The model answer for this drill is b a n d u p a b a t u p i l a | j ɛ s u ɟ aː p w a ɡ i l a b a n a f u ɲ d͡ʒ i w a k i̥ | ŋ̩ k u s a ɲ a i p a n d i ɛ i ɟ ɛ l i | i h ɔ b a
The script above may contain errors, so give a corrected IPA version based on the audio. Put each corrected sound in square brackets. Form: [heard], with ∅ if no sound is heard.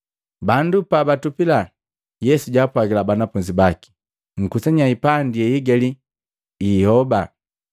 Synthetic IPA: b a n d u p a b a t u p i l a | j ɛ s u ɟ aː p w a ɡ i l a b a n a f u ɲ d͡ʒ i [b] a k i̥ | ŋ̩ k u s a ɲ a i p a n d i ɛ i [ɡ] ɛ l i | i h ɔ b a